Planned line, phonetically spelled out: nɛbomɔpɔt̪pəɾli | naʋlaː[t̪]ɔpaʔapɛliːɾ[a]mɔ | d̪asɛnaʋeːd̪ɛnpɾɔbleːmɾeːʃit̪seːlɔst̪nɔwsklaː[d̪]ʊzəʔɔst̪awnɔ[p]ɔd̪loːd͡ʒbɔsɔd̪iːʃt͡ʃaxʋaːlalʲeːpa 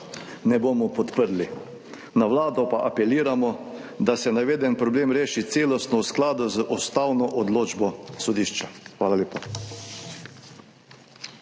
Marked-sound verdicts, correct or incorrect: incorrect, correct, correct, incorrect

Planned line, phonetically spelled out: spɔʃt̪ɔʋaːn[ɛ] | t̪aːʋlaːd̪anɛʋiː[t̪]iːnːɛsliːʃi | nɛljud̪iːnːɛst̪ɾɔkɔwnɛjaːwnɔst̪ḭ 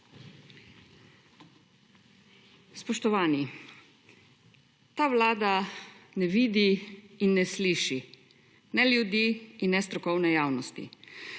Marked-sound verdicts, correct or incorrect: incorrect, incorrect

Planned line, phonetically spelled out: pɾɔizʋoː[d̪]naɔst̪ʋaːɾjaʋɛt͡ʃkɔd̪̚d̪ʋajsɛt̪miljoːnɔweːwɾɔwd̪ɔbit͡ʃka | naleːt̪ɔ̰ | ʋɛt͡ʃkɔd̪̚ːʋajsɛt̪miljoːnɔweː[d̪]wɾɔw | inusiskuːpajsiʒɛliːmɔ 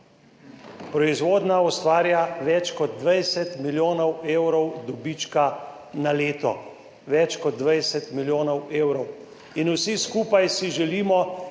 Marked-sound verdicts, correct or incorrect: correct, incorrect

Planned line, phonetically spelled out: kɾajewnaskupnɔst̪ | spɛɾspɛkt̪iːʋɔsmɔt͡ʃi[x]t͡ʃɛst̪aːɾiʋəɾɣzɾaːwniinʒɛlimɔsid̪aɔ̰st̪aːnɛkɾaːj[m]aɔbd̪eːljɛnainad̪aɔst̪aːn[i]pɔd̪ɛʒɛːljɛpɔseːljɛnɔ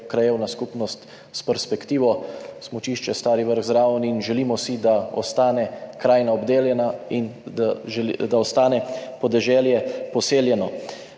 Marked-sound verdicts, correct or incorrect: incorrect, incorrect, incorrect

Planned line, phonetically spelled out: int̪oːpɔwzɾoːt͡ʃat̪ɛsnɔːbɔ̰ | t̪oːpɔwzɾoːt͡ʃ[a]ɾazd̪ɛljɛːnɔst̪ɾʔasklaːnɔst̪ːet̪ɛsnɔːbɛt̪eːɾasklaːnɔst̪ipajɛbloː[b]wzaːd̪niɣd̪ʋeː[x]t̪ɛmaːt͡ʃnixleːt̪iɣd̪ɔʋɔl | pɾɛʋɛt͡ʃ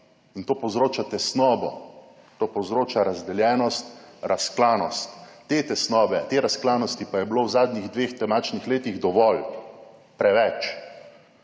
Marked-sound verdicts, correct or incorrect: correct, incorrect, correct

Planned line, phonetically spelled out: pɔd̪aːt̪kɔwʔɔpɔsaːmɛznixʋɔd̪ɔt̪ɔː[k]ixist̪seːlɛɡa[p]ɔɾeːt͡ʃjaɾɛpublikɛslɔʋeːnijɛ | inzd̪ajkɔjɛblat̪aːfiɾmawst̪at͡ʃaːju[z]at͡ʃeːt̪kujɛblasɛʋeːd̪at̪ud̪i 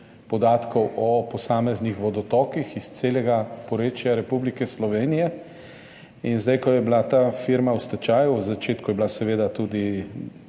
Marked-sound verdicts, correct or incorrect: correct, correct, correct

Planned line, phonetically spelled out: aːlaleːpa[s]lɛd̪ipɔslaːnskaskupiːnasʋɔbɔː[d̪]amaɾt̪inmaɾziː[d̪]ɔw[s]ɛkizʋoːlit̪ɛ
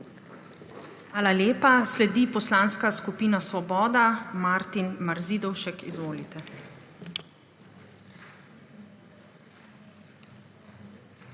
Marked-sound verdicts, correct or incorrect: correct, correct, correct, incorrect

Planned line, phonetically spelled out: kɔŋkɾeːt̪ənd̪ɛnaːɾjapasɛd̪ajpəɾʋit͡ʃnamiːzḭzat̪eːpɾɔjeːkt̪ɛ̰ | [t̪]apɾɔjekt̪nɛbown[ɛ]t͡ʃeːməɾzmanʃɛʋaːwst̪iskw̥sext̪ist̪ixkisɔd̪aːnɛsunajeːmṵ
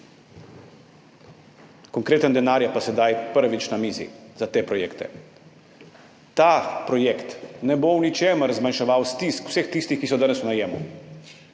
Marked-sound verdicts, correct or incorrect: correct, incorrect

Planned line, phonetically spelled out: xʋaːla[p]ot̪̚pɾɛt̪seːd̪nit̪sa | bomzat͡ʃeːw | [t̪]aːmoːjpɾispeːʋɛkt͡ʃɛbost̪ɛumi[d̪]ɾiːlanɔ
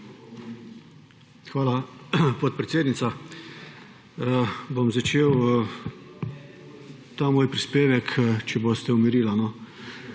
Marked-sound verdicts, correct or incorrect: correct, correct, incorrect

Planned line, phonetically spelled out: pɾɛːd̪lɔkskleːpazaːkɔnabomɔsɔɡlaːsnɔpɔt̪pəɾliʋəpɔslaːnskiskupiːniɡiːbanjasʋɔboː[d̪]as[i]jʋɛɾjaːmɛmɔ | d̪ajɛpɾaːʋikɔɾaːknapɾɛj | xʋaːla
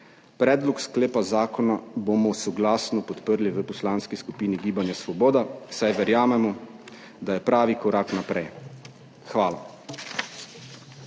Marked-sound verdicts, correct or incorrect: correct, incorrect

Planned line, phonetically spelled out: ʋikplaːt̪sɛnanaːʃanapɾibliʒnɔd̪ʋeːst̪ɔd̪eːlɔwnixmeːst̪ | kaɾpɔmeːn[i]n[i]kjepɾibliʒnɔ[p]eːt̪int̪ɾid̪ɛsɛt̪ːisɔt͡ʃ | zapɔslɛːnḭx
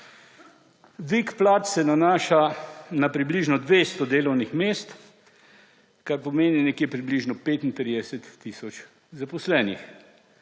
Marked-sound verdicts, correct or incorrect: correct, incorrect, correct

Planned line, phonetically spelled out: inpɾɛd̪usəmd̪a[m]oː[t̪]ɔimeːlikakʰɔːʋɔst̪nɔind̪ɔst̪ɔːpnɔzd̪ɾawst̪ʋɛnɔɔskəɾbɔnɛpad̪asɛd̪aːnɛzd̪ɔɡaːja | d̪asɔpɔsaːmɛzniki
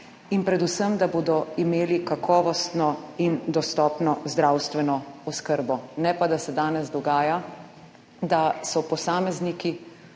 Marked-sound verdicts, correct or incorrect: incorrect, incorrect

